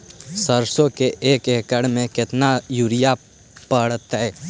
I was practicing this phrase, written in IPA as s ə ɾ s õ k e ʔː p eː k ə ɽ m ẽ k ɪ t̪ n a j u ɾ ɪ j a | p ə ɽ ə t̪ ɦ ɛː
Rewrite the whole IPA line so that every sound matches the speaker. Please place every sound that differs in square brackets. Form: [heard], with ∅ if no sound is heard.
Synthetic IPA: s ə ɾ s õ k e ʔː [k] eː k ə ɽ m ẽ k ɪ t̪ n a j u ɾ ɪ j a | p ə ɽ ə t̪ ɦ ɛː